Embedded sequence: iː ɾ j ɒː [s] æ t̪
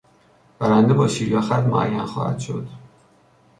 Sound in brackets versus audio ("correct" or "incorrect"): incorrect